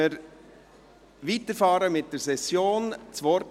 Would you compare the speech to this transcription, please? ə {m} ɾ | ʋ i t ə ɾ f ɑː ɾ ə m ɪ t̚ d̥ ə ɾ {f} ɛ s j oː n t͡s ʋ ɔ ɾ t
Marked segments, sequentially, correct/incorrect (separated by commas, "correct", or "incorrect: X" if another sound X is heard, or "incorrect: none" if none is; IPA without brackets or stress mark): incorrect: none, incorrect: s